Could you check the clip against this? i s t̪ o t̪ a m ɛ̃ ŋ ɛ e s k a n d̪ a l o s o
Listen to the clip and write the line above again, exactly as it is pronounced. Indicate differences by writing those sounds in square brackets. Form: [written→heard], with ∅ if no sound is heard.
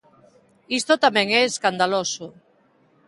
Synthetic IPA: i s t̪ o t̪ a m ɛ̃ ŋ ɛ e s k a n d̪ a l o s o